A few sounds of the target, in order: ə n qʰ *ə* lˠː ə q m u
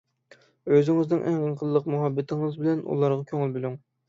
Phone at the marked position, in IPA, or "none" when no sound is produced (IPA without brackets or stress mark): ə